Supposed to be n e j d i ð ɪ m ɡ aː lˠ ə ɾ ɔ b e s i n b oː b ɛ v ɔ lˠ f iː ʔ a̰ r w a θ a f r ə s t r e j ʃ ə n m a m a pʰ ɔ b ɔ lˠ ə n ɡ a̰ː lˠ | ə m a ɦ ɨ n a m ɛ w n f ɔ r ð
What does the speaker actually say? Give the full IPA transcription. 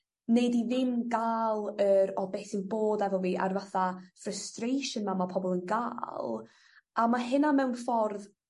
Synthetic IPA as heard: n e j d i ð ɪ m ɡ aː lˠ ə ɾ ɔ b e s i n b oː d ɛ v ɔ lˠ v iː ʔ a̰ r v a θ a f r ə s t r e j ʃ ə n m a m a pʰ ɔ b ɔ lˠ ə n ɡ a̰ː lˠ | a m a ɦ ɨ n a m ɛ w n f ɔ r ð